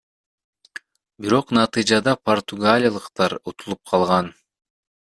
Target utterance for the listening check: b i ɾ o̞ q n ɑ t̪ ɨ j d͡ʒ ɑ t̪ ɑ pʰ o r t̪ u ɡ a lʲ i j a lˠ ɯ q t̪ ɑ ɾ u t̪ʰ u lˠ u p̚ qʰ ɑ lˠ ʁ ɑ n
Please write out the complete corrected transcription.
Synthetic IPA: b i ɾ o̞ q n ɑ t̪ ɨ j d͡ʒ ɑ d̪ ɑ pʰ o r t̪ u ɡ a lʲ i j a lˠ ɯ q t̪ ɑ ɾ u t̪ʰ u lˠ u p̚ qʰ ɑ lˠ ʁ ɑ n